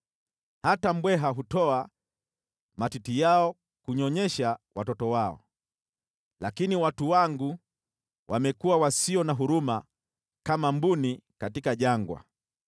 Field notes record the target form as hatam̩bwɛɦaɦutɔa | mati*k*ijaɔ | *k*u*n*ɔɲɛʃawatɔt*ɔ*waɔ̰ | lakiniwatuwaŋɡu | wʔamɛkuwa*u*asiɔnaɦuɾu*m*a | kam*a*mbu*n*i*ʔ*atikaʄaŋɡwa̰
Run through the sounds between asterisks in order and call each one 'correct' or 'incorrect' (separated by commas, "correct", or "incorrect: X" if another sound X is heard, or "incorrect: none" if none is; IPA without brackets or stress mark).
incorrect: t, correct, incorrect: ɲ, correct, incorrect: w, correct, correct, correct, incorrect: k